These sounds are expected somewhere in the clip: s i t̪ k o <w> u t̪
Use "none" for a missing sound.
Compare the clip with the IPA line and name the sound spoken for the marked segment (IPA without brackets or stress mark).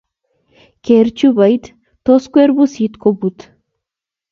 b